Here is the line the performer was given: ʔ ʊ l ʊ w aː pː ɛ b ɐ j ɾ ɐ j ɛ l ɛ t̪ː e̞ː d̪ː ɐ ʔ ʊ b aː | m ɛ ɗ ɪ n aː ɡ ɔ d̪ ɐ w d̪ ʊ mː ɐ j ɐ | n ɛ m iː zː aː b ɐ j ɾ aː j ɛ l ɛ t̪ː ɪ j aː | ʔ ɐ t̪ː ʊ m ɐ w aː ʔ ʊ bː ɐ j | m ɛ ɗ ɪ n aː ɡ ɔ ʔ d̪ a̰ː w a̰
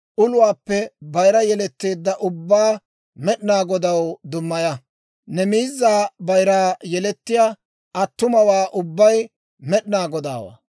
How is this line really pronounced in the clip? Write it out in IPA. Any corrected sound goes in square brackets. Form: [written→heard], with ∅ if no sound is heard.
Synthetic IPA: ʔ ʊ l ʊ w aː pː ɛ b ɐ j ɾ ɐ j ɛ l ɛ t̪ː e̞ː d̪ː ɐ ʔ ʊ [b→bː] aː | m ɛ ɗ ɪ n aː ɡ ɔ d̪ ɐ w d̪ ʊ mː ɐ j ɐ | n ɛ m iː zː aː b ɐ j ɾ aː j ɛ l ɛ t̪ː ɪ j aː | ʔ ɐ t̪ː ʊ m ɐ w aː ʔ ʊ bː ɐ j | m ɛ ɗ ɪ n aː ɡ ɔ [ʔ→∅] d̪ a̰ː w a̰